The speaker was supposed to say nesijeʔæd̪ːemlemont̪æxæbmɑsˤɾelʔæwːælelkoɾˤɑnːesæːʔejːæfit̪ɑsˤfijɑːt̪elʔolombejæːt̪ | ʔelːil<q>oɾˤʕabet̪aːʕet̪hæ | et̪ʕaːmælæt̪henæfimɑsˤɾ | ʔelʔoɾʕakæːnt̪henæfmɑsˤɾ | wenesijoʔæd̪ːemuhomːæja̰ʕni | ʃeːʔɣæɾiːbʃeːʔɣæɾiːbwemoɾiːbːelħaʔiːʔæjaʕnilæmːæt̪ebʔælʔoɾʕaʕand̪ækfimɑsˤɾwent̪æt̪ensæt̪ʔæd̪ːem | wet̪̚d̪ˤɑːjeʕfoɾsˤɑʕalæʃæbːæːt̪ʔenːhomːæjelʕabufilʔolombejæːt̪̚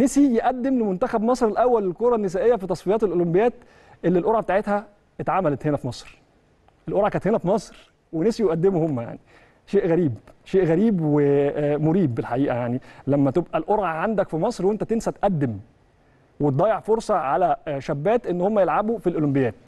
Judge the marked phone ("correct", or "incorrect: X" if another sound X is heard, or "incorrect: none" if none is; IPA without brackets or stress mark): incorrect: ʔ